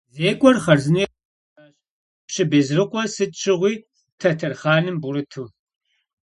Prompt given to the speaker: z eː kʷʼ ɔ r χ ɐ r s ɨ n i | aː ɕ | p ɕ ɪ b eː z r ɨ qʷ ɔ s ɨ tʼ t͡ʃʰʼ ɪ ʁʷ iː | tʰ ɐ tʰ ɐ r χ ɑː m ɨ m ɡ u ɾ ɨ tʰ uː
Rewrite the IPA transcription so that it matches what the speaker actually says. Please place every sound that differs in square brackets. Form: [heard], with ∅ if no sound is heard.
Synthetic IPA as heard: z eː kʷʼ ɔ r χ ɐ r [z] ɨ n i | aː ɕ | p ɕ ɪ b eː z r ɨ qʷ ɔ s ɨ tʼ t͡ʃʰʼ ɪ ʁʷ iː | tʰ ɐ tʰ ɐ r χ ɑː [n] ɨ m [b] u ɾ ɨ tʰ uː